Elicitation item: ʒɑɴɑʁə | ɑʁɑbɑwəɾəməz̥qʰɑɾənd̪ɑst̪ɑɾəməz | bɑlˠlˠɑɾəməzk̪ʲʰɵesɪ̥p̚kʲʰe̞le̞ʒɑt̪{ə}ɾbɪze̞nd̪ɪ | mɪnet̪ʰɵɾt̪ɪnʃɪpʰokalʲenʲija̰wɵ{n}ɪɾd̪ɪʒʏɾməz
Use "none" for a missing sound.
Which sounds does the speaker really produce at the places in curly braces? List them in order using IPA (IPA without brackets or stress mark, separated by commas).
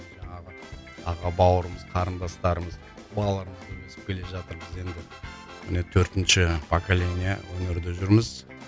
ə, n